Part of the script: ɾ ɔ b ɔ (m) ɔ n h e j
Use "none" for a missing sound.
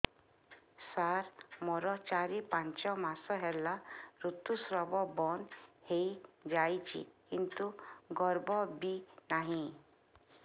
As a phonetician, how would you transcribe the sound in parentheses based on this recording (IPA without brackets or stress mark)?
b